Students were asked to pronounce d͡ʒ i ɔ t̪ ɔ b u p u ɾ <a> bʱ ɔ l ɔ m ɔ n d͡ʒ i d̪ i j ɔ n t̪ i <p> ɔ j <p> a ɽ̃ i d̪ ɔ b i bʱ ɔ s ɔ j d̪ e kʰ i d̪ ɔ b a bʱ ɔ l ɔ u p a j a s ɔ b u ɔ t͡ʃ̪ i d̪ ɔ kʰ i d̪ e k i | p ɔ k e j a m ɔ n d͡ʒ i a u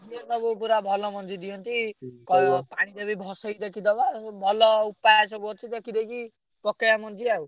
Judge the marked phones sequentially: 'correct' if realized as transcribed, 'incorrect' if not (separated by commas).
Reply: correct, incorrect, correct